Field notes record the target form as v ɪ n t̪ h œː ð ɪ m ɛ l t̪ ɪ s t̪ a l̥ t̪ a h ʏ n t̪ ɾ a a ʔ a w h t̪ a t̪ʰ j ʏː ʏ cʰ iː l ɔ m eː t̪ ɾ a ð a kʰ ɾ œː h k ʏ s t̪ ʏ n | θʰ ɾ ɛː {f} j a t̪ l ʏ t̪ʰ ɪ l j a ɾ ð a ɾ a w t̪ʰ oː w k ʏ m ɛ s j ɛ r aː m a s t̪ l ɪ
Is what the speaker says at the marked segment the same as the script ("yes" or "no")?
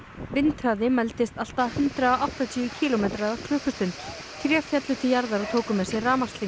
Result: yes